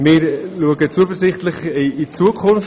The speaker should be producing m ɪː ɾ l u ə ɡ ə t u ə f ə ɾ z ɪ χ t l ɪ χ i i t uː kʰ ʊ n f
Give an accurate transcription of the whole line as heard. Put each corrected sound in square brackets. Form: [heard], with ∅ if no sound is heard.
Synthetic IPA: m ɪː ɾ l u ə ɡ ə [t͡s] u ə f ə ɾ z ɪ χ t l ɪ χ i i [t͡s] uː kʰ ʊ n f